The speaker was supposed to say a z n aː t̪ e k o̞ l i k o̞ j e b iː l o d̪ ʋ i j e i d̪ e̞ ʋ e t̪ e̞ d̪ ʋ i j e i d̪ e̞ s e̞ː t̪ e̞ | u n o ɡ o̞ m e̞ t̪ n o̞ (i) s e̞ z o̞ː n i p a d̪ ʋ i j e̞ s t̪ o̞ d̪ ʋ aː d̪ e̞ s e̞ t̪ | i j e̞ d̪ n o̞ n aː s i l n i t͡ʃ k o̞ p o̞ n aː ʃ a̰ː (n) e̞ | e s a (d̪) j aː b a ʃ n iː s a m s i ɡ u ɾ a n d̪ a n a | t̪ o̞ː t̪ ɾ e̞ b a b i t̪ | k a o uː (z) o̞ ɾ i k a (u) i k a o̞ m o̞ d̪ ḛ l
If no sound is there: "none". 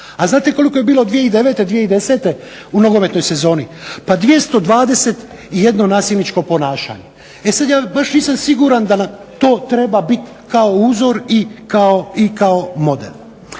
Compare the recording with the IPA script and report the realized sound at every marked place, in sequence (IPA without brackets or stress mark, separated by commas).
j, ɲ, d̪, z, o